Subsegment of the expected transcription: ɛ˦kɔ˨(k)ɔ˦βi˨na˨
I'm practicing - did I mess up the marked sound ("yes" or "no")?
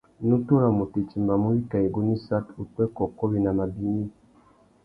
no